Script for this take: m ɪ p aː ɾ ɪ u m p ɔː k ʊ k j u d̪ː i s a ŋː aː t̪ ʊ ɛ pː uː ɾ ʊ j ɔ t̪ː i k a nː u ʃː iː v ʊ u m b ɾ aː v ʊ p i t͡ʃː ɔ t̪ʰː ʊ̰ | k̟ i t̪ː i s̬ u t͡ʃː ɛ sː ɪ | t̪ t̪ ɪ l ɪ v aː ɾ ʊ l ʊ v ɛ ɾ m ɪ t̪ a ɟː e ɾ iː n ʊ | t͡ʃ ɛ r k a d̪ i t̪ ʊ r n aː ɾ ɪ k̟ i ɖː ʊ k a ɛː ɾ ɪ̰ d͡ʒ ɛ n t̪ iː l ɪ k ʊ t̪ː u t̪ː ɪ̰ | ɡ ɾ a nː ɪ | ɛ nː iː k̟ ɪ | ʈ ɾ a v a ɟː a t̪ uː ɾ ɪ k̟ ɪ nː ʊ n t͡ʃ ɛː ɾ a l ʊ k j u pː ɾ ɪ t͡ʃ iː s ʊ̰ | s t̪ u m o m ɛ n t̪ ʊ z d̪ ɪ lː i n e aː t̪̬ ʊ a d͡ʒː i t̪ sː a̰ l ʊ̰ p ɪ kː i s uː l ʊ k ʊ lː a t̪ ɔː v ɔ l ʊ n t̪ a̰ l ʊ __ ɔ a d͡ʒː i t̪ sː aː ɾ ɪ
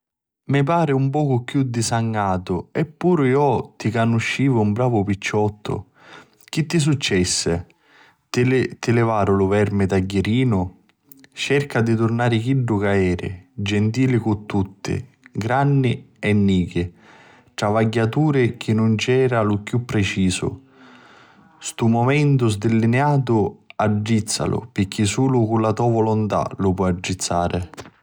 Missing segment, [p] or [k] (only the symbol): p